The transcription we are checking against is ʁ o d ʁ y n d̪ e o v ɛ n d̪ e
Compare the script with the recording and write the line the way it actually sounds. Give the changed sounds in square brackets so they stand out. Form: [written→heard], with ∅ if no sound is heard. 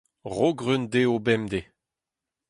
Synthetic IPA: ʁ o [d→ɡ] ʁ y n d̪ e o [v→b] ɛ [n→m] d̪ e